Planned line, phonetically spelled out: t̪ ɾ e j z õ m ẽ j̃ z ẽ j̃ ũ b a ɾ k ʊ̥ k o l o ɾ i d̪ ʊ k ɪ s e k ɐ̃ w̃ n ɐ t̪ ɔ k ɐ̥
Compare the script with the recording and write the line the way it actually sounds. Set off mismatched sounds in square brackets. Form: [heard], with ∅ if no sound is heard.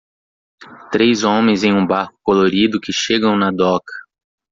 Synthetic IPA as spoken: t̪ ɾ e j z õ m ẽ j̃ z ẽ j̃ ũ b a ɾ k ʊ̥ k o l o ɾ i d̪ ʊ k ɪ [ʃ] e [ɡ] ɐ̃ w̃ n ɐ [d̪] ɔ k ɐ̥